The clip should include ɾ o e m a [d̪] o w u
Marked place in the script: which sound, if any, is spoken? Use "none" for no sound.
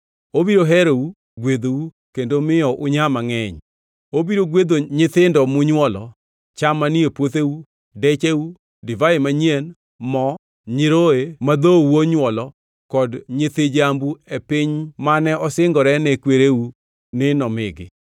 d̪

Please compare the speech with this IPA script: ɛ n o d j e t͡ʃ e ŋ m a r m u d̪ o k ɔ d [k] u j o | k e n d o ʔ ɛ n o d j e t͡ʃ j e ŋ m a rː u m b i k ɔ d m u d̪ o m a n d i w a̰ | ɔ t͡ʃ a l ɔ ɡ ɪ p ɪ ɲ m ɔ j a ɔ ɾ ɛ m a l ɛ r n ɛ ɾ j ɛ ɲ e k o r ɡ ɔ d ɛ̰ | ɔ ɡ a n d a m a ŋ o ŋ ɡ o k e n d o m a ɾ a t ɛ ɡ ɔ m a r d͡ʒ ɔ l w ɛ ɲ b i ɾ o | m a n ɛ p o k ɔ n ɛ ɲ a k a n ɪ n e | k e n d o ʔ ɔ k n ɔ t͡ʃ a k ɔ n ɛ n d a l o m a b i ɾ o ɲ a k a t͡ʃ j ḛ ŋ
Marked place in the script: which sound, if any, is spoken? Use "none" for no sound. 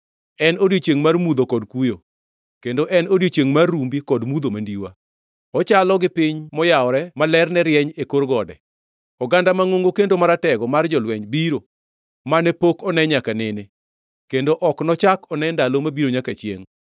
k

